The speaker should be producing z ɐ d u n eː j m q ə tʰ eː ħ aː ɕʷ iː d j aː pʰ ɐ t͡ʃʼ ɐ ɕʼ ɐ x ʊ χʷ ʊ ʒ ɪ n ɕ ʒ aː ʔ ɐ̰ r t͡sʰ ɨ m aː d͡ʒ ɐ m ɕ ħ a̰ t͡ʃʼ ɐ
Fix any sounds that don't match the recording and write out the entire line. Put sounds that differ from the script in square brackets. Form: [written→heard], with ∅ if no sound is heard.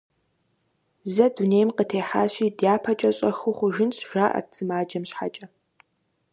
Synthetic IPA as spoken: z ɐ d u n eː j m q ə tʰ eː ħ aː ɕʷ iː d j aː pʰ ɐ t͡ʃʼ ɐ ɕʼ ɐ x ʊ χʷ ʊ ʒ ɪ n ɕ ʒ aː ʔ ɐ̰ r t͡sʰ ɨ m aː d͡ʒ ɐ m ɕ ħ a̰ t͡ʃʼ ɐ